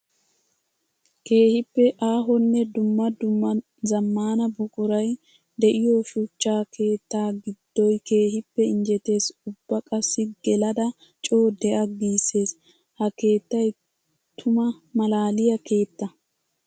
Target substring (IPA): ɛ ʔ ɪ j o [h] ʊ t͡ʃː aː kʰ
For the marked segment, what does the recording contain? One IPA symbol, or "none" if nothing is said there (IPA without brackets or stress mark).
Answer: ʃ